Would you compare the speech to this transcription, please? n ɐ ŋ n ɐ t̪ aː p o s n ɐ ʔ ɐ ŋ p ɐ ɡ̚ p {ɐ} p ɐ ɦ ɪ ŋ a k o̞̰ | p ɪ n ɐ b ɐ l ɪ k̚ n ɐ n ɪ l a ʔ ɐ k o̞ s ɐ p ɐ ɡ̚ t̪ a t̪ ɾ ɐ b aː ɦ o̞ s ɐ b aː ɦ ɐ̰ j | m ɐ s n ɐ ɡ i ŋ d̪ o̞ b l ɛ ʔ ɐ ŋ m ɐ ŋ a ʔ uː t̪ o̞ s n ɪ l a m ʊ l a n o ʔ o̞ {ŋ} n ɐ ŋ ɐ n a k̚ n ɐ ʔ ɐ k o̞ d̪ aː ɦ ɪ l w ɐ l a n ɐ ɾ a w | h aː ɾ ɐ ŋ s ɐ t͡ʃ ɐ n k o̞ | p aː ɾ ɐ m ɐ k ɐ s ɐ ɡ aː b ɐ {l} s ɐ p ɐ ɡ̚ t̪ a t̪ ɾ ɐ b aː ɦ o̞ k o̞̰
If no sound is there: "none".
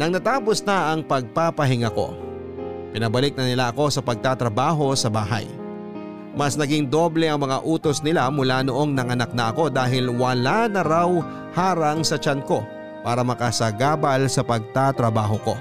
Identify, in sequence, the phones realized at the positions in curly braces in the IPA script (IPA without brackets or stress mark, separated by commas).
a, ŋ, l